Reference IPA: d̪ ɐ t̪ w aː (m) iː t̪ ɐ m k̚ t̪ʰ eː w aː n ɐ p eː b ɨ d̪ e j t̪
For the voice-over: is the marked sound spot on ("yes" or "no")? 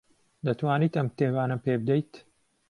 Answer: no